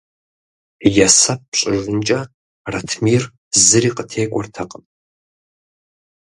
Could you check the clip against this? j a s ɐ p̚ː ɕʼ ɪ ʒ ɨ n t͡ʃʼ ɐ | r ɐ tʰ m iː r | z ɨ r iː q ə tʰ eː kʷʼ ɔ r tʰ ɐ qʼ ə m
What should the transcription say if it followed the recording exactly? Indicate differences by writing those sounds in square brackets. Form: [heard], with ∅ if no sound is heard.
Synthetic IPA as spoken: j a s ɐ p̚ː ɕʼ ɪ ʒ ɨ n t͡ʃʼ ɐ | r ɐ tʰ m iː r | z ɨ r iː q ə tʰ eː kʷʼ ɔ r tʰ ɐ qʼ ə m